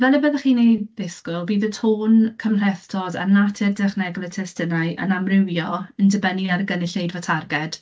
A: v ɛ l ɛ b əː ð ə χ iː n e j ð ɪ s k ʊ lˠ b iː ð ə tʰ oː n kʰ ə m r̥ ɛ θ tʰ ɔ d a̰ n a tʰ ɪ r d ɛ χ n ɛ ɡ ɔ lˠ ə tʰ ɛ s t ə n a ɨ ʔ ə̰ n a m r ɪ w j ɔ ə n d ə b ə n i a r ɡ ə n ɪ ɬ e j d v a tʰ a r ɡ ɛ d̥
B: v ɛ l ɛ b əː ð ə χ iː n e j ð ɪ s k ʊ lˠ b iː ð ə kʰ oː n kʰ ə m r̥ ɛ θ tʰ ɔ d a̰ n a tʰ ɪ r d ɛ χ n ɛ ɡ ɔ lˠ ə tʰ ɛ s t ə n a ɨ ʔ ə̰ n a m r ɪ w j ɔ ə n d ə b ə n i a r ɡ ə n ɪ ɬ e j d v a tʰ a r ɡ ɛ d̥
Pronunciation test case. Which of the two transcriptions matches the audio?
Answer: A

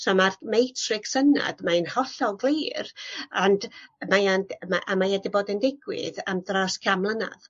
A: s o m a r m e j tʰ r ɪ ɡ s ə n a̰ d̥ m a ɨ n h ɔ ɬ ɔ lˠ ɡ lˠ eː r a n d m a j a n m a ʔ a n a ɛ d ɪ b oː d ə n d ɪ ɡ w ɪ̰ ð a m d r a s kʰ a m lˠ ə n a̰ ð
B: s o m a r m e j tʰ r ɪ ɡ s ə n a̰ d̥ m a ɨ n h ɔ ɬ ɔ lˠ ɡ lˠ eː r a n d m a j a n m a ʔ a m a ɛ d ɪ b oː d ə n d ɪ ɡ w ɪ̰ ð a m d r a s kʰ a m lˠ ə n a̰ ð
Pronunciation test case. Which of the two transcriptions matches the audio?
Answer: B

